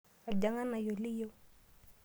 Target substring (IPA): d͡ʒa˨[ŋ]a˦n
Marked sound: correct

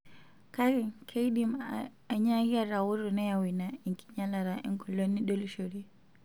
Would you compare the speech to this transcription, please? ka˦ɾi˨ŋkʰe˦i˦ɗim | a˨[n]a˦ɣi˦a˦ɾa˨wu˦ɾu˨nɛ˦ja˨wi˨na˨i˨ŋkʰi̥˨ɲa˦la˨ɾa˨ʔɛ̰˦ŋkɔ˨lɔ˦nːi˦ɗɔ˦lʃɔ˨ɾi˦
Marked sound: incorrect: ɲ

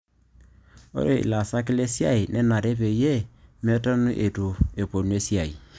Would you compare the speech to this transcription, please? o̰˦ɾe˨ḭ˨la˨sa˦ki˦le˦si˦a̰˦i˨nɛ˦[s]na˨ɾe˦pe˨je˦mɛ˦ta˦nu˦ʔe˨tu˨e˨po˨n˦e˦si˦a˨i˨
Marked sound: incorrect: none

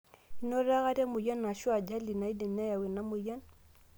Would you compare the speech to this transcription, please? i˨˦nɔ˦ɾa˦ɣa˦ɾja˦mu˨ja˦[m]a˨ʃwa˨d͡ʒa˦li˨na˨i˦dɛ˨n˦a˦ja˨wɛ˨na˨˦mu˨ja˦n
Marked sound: incorrect: n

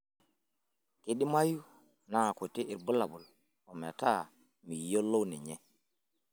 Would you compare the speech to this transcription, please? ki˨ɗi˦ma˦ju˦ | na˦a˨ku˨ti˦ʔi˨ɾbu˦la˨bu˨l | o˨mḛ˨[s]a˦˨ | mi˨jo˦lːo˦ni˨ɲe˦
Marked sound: incorrect: t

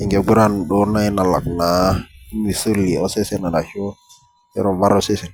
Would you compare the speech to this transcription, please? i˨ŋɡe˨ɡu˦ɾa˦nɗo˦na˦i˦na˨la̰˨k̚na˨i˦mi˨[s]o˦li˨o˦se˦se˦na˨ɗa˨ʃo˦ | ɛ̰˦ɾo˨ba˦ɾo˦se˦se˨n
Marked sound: correct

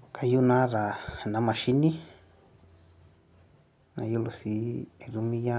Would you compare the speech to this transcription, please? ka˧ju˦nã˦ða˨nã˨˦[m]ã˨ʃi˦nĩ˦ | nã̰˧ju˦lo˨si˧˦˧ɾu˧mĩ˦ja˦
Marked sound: correct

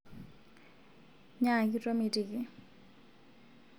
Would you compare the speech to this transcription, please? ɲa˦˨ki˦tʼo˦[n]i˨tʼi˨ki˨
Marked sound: incorrect: m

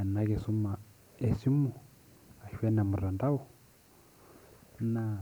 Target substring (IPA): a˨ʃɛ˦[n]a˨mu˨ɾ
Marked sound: correct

